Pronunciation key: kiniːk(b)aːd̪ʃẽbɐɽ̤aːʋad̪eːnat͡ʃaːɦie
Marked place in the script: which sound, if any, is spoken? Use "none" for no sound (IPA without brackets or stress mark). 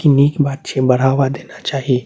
b